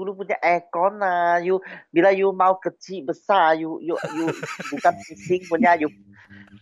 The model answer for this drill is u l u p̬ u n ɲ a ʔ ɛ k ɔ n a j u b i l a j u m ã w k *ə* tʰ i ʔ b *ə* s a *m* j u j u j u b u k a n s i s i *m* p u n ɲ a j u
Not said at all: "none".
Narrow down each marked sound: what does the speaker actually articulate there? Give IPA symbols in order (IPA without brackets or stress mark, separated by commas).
ə, ə, none, ŋ